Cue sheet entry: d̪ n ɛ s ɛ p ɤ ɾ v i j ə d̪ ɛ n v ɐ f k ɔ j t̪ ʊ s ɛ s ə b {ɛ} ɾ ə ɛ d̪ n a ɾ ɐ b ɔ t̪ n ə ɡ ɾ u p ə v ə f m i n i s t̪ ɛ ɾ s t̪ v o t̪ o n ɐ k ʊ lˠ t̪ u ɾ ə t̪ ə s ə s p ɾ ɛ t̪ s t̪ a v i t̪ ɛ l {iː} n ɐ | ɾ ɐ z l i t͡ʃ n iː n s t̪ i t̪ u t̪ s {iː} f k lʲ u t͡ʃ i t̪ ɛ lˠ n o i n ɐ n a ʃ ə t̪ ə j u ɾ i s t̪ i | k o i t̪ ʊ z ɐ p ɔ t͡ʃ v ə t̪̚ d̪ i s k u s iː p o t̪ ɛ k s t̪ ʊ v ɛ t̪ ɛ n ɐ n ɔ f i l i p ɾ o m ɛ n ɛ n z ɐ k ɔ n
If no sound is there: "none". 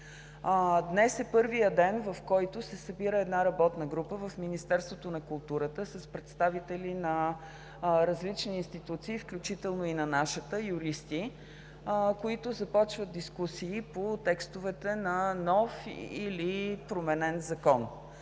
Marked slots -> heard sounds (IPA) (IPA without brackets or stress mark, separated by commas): i, i, iː